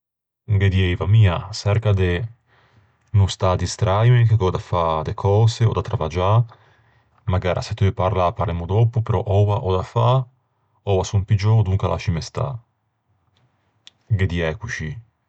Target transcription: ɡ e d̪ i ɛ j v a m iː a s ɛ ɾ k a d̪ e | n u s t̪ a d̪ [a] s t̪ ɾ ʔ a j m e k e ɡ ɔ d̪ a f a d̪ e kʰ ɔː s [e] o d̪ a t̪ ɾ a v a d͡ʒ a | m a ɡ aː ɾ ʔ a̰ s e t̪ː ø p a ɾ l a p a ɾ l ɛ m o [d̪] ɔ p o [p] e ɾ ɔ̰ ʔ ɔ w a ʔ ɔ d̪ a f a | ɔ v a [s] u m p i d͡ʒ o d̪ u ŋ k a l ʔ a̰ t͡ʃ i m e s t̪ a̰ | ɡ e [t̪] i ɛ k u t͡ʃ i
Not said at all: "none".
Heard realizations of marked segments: i, e, d̪, p, s, d̪

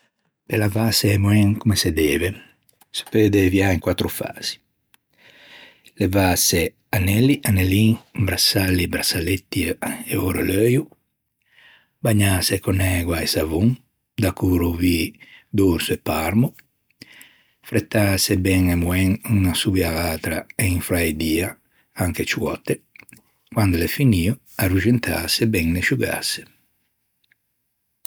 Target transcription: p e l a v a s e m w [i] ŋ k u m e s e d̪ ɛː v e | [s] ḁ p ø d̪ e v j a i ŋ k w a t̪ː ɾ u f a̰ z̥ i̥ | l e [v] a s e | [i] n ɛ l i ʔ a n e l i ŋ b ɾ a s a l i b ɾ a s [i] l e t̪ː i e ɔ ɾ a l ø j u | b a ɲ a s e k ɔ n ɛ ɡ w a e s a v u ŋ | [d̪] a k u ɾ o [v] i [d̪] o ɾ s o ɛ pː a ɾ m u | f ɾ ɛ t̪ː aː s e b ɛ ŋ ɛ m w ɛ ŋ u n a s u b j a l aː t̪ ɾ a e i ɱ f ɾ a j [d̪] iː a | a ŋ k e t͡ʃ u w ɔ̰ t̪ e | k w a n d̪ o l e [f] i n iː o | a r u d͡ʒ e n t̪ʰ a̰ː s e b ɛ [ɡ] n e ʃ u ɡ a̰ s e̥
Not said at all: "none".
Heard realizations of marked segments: ɛ, s, v, a, a, d̪, v, d̪, d̪, f, ŋ

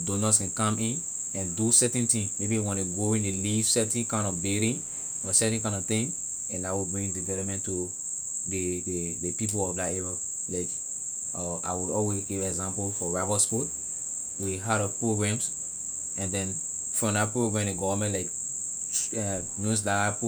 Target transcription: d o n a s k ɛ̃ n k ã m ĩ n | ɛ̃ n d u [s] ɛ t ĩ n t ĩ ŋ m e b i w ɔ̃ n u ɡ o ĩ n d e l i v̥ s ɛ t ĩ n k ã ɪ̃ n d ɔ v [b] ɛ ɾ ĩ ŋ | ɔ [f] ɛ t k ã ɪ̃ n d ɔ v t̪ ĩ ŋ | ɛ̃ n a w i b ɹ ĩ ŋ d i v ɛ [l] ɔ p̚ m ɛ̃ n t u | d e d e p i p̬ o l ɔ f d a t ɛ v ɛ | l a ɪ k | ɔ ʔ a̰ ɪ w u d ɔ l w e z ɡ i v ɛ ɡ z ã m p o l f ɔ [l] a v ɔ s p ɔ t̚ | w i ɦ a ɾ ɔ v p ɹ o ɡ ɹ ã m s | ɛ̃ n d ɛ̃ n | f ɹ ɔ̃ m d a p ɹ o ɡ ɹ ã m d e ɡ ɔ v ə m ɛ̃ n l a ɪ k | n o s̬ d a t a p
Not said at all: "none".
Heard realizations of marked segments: s, b, s, l, ɹ

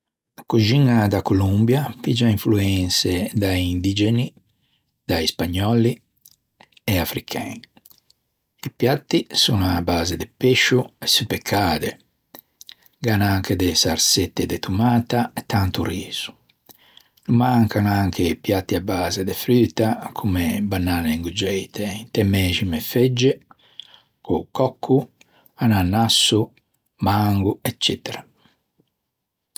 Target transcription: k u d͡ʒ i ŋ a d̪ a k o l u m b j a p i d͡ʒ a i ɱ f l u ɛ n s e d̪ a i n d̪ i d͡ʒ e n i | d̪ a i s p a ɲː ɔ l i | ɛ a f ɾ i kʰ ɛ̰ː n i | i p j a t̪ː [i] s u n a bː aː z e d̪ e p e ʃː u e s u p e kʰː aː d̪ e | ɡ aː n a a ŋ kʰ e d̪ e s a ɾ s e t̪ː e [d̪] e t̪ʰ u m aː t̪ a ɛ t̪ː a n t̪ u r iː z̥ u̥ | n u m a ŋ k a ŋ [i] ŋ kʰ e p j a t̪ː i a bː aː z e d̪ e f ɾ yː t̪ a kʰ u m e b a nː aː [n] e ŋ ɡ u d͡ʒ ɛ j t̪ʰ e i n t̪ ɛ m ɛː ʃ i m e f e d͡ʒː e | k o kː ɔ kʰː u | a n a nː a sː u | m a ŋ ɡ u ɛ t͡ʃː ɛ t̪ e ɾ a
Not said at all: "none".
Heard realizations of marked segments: i, d̪, a, n

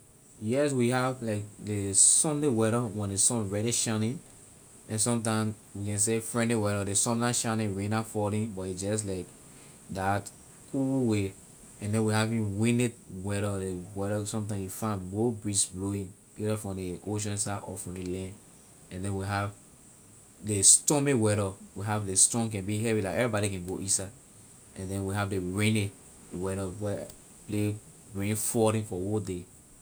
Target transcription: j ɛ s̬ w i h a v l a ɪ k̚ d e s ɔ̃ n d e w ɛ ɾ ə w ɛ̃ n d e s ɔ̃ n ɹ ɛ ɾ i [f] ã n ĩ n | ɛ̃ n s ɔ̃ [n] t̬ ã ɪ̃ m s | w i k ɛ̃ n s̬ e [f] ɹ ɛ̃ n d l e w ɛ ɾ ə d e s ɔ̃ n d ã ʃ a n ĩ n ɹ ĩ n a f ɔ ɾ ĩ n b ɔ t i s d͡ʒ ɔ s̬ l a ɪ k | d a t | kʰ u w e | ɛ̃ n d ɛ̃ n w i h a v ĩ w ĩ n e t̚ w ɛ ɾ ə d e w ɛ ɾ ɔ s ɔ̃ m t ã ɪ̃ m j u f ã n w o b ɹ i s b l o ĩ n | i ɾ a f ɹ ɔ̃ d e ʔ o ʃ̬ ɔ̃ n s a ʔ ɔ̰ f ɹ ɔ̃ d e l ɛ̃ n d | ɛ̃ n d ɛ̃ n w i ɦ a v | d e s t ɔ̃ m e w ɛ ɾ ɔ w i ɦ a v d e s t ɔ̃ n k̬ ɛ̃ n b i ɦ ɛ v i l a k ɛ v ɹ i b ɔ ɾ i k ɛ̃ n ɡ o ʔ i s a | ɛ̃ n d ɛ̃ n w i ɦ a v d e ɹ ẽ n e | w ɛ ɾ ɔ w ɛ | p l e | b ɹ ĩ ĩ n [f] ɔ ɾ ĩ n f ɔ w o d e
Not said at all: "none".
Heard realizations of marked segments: ʃ, m, f, f

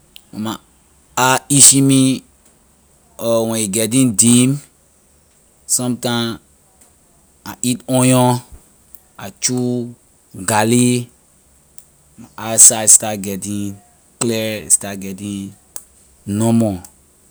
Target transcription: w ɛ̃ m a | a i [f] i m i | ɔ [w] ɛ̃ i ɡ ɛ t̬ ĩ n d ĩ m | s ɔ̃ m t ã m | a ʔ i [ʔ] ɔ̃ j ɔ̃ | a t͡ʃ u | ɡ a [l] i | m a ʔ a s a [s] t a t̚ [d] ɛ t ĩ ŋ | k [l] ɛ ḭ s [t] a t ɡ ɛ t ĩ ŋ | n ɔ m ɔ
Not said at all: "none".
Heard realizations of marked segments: ʃ, w, t, l, s, ɡ, l, t

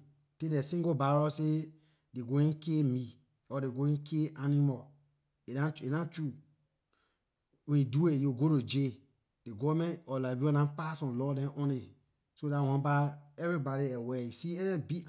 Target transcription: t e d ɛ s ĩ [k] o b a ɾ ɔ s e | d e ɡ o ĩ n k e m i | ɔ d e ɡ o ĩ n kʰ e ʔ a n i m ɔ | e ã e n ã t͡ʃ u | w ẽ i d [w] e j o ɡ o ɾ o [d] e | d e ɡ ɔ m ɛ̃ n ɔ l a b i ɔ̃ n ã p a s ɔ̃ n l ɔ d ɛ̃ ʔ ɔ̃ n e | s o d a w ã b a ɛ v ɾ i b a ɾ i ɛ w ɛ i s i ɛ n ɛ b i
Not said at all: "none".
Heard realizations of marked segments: ɡ, u, d͡ʒ

